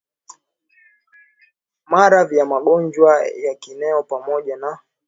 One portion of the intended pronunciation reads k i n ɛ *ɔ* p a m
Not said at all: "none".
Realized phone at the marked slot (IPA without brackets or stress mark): ɔ